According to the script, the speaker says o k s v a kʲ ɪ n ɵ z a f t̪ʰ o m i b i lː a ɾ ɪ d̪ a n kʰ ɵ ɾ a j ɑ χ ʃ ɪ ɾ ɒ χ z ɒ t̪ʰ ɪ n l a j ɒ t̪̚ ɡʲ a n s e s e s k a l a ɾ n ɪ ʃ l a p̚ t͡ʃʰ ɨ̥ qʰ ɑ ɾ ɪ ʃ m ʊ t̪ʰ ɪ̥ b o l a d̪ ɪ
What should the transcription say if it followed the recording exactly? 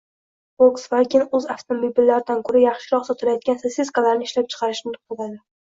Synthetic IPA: o k s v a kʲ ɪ n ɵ z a f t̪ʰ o m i b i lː a ɾ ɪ d̪ a n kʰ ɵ ɾ a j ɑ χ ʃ ɪ ɾ ɒ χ s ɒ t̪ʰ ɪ l a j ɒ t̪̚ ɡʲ a n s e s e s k a l a ɾ n ɪ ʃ l a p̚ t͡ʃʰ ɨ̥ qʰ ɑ ɾ ɪ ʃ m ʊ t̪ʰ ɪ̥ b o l a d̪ ɪ